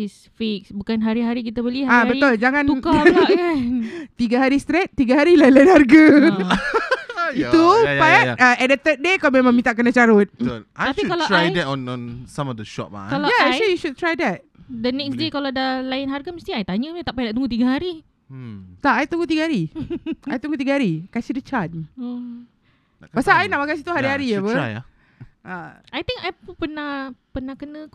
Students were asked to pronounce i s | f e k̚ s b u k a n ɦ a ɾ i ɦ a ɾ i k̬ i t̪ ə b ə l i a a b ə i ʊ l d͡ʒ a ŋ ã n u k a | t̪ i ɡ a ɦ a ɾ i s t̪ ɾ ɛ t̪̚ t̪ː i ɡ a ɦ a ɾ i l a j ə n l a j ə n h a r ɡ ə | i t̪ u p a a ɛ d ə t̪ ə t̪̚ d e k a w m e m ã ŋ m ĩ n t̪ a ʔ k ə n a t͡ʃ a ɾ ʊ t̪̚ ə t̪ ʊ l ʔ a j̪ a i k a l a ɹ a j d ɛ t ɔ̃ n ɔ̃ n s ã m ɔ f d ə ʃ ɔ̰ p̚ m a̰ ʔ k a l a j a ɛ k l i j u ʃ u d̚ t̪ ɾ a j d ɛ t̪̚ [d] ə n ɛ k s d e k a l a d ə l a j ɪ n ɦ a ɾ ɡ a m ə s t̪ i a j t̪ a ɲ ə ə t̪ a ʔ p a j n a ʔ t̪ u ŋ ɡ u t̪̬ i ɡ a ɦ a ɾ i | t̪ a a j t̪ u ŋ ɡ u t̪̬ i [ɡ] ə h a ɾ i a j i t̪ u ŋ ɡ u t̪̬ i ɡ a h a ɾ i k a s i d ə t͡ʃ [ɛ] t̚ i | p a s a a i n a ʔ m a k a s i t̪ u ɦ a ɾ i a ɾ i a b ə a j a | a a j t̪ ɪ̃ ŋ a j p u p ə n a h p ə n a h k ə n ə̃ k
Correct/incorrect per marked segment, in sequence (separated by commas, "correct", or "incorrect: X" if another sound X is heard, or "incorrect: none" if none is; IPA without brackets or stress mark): correct, correct, incorrect: a